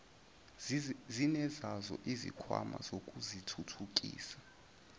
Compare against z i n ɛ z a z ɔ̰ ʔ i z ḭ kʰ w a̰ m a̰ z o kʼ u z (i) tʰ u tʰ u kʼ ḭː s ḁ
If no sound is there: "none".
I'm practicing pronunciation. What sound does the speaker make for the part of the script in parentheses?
i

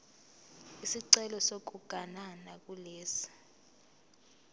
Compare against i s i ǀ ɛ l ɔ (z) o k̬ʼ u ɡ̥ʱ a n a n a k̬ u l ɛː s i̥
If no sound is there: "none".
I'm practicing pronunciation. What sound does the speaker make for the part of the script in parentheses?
s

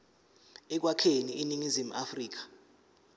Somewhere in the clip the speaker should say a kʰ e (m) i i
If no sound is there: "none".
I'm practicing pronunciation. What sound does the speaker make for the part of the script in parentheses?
n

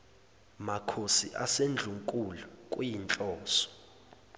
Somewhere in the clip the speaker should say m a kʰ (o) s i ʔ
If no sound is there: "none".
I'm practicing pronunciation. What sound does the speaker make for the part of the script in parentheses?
o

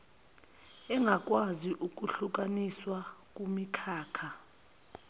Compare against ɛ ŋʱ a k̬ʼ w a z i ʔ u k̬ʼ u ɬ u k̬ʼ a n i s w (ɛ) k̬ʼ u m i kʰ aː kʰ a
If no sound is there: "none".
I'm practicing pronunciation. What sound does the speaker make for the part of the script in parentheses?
a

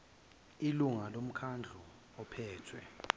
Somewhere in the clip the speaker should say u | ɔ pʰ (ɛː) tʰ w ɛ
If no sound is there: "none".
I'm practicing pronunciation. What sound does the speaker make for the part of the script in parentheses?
ɛː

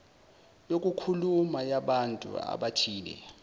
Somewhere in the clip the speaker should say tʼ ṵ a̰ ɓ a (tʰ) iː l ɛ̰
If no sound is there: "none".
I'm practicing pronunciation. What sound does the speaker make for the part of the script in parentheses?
tʰ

